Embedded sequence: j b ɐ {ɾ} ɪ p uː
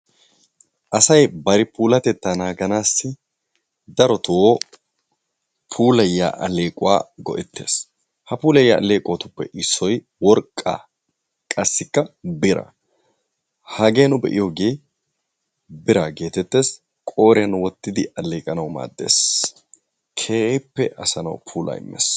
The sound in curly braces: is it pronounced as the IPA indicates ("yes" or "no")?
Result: yes